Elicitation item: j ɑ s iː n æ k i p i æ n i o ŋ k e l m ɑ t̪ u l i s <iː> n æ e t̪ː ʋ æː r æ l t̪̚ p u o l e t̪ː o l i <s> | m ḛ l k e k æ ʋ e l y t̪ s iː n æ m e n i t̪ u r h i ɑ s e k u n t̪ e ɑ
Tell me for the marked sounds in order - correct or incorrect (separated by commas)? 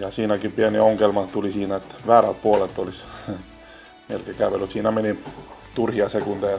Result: correct, correct